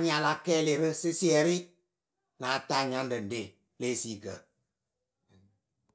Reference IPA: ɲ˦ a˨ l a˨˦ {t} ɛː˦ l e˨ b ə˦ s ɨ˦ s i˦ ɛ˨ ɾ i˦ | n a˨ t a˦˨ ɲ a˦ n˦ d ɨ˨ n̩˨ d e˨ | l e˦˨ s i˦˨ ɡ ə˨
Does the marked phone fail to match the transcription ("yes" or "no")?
yes